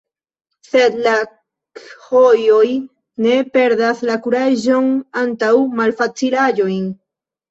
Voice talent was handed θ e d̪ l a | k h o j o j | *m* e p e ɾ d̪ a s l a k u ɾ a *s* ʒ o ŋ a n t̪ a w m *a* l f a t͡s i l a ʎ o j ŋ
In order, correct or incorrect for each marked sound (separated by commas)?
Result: incorrect, incorrect, correct